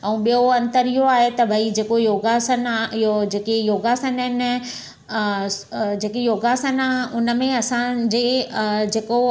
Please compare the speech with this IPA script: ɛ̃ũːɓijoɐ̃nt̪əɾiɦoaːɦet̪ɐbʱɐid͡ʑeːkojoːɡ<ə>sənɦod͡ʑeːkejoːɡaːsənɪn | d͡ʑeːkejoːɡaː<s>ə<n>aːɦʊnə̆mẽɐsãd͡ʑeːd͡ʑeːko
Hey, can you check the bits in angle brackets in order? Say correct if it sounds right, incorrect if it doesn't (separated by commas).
incorrect, correct, correct